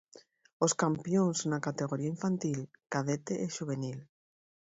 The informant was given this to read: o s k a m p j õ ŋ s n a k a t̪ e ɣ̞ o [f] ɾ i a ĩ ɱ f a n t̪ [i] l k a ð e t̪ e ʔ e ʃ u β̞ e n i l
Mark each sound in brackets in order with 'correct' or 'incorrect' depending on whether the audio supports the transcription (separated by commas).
incorrect, correct